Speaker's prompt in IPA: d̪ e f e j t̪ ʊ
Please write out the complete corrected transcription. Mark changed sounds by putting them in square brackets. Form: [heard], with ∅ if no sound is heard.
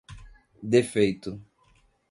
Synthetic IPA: d̪ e f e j t̪ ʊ

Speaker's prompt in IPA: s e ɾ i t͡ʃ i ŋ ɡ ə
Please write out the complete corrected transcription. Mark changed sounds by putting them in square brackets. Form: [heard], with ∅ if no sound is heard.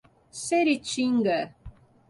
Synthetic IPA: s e ɾ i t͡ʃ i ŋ ɡ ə

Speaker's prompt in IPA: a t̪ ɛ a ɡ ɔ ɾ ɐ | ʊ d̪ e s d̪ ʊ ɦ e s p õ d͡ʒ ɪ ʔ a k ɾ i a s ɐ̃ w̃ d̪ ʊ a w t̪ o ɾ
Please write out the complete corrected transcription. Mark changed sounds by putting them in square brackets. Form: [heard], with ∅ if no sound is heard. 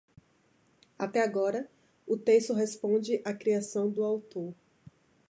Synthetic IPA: a t̪ ɛ a ɡ ɔ ɾ ɐ | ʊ [t̪] e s [t̪] ʊ ɦ e s p õ d͡ʒ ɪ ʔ a k ɾ i a s ɐ̃ w̃ d̪ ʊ a w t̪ o ɾ

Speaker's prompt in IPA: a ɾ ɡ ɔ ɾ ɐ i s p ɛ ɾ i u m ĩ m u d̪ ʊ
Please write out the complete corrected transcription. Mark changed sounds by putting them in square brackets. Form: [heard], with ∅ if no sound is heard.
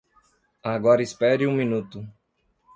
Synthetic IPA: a [∅] ɡ ɔ ɾ ɐ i s p ɛ ɾ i [ũ] m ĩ [n] u [t̪] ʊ

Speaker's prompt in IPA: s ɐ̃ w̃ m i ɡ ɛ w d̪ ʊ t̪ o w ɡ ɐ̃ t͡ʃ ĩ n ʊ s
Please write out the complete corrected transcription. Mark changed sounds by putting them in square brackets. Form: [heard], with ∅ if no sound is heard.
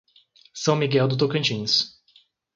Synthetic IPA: s ɐ̃ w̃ m i ɡ ɛ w d̪ ʊ t̪ o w [k] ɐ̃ t͡ʃ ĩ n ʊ s

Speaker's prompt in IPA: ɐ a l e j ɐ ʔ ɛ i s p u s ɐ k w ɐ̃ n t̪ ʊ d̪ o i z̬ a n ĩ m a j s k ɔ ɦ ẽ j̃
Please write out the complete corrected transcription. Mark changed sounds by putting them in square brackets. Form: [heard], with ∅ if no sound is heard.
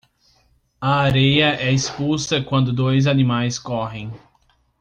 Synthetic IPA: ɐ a [ɾ] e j ɐ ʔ ɛ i s p u s ɐ k w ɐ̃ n [d̪] ʊ d̪ o [j] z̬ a n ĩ m a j s k ɔ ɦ ẽ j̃

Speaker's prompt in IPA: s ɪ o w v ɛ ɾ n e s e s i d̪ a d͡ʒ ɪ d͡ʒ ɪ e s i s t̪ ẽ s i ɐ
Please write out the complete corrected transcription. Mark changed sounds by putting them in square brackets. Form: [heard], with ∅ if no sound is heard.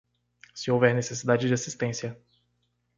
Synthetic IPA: s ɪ o w v ɛ ɾ n e s e s i d̪ a d͡ʒ ɪ d͡ʒ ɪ [a] s i s t̪ ẽ s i ɐ

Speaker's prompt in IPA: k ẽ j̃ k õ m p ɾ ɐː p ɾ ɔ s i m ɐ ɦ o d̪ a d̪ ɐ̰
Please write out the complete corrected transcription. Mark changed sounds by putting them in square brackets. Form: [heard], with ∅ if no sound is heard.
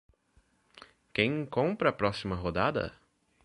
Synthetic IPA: k ẽ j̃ k õ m p ɾ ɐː p ɾ ɔ s i m ɐ ɦ o d̪ a d̪ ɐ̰

